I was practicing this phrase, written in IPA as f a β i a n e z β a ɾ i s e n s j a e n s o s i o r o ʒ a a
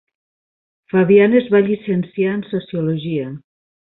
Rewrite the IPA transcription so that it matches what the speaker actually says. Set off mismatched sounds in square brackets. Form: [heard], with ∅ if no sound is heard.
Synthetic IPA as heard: f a β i a n e z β a [ʎ] i s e n s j a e n s o s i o [l] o ʒ [i] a